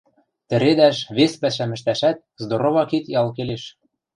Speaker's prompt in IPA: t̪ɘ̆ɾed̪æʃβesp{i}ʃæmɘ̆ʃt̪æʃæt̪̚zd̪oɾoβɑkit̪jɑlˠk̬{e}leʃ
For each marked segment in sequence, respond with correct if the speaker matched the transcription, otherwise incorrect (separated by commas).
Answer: incorrect, correct